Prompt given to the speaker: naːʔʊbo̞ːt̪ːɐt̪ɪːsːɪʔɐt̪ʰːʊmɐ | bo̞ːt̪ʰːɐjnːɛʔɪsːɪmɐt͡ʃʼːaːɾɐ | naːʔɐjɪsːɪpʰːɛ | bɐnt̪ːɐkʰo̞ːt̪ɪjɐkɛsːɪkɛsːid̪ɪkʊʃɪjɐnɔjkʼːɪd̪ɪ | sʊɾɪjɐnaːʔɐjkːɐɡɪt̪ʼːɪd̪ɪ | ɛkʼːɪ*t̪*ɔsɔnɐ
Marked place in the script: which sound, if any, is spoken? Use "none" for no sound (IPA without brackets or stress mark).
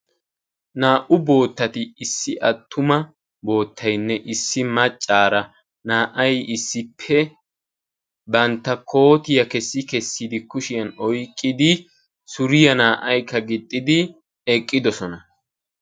d̪